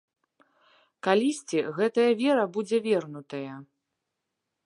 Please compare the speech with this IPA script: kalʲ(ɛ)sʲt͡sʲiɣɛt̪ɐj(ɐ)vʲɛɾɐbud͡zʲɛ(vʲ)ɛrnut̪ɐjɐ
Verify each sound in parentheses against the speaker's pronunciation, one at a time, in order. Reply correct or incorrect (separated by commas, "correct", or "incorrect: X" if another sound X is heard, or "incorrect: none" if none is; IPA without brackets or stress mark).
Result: incorrect: i, correct, correct